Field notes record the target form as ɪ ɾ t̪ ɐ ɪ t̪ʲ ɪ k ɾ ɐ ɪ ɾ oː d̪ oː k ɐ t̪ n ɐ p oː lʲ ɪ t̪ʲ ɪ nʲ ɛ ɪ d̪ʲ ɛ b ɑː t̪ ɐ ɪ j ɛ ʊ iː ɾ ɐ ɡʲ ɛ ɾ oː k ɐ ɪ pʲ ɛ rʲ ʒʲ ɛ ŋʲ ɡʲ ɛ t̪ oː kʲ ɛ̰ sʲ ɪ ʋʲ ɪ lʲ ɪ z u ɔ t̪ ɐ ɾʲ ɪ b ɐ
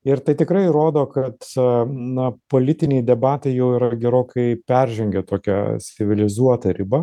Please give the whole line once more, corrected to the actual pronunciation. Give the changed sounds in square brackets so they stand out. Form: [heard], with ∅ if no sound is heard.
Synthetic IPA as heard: ɪ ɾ t̪ ɐ ɪ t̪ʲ ɪ k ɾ ɐ ɪ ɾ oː d̪ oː k ɐ t̪ n ɐ p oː lʲ ɪ t̪ʲ ɪ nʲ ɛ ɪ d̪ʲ ɛ b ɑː t̪ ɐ ɪ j ɛ ʊ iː ɾ ɐ ɡʲ ɛ ɾ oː k ɐ ɪ pʲ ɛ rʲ ʒʲ ɛ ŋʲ ɡʲ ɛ t̪ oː kʲ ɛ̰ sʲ ɪ ʋʲ ɪ lʲ ɪ z u ɔ t̪ ɐ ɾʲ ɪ b ɐ